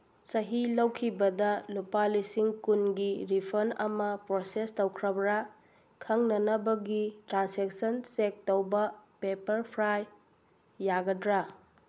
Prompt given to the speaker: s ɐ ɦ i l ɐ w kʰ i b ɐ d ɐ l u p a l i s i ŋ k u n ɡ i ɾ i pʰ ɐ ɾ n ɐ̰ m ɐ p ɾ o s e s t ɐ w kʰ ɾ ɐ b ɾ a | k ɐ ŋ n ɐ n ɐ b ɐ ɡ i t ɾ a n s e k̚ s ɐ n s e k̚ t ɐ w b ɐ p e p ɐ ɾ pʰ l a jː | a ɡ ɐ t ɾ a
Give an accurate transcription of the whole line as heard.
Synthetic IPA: s ɐ ɦ i l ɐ w kʰ i b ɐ d ɐ l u p a l i s i ŋ k u n ɡ i ɾ i pʰ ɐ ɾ n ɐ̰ m ɐ p ɾ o s e s t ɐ w kʰ ɾ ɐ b ɾ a | kʰ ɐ ŋ n ɐ n ɐ b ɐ ɡ i t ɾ a n s e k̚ s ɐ n s e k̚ t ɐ w b ɐ p e p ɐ ɾ pʰ ɾ a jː | a ɡ ɐ d ɾ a